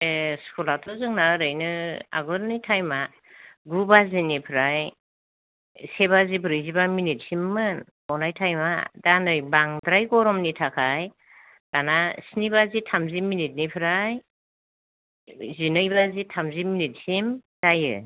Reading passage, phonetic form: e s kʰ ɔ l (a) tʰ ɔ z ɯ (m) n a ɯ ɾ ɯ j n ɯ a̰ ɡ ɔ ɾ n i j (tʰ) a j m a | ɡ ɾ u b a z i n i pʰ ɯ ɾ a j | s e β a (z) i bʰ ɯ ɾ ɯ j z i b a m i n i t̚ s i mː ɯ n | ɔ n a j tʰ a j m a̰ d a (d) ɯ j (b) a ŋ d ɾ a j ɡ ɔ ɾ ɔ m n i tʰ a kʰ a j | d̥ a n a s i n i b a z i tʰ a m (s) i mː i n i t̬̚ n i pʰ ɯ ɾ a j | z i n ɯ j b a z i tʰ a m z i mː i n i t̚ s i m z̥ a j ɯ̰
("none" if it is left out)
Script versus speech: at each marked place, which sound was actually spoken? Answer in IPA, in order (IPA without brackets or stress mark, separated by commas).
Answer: a, ŋ, tʰ, z, n, b, z